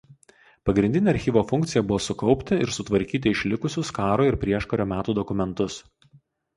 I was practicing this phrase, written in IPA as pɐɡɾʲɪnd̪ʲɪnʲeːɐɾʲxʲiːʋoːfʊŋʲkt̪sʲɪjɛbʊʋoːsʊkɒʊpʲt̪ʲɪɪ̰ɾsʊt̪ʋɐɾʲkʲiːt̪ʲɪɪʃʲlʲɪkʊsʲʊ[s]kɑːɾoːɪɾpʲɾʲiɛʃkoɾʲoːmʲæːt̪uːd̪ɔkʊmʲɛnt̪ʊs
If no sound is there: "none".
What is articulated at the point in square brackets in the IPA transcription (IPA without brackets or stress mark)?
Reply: s